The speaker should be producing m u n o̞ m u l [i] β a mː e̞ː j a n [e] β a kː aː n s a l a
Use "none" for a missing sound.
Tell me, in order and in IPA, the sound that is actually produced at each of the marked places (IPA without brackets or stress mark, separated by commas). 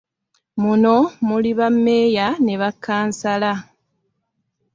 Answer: i, e